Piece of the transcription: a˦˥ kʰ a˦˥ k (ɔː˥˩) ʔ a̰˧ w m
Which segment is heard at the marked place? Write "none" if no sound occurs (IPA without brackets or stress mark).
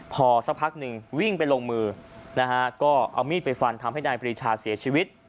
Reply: ɔː˥˩